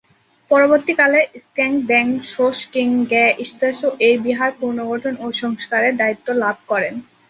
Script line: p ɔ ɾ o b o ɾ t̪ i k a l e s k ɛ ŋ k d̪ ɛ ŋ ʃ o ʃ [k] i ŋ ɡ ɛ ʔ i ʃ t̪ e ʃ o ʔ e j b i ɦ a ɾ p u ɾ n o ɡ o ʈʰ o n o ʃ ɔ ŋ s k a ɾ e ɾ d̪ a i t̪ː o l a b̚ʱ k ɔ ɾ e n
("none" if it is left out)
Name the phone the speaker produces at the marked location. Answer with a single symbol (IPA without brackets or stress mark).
k